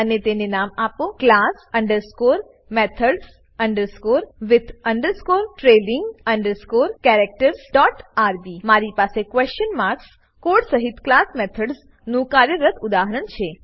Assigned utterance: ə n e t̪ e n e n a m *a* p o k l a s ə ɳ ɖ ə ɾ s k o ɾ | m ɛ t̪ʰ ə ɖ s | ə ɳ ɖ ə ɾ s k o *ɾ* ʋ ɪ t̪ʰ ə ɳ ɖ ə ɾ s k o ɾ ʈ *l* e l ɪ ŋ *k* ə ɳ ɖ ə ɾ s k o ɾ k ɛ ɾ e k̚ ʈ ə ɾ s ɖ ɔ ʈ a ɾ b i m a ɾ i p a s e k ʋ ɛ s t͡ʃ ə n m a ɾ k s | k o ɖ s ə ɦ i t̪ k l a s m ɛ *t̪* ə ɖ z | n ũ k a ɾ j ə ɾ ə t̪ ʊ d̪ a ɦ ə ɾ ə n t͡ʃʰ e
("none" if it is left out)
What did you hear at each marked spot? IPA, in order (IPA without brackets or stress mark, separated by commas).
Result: a, ɾ, ɾ, ɡ, t̪ʰ